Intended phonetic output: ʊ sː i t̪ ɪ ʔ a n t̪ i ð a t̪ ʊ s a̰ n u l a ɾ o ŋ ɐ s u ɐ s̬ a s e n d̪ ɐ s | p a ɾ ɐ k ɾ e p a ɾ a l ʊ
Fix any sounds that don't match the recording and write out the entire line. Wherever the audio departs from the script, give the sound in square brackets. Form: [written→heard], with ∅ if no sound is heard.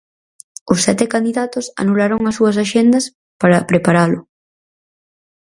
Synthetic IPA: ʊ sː [i→ɛ] t̪ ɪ [ʔ→k] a n [t̪→d̪] i ð a t̪ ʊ s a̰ n u l a ɾ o ŋ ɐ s u ɐ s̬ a [s→ʃ] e n d̪ ɐ s | p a ɾ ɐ [k→p] ɾ e p a ɾ a l ʊ